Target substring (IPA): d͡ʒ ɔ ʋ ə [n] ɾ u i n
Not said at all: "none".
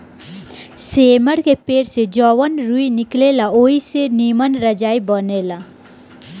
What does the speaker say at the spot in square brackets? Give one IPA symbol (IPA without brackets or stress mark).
n